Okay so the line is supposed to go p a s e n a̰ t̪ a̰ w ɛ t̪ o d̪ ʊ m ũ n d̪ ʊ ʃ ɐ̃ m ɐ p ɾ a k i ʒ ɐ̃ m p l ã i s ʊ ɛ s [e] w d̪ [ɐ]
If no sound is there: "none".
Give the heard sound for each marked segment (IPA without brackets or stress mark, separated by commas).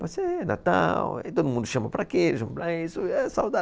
a, a